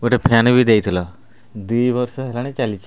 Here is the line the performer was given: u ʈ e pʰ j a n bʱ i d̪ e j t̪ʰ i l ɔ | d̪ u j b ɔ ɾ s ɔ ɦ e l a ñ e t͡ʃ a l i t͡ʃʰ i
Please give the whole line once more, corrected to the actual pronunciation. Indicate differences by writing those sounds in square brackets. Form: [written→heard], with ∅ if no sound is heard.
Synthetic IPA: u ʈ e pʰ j a n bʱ i d̪ e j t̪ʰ i l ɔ | d̪ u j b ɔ ɾ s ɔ ɦ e l a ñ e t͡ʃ a l i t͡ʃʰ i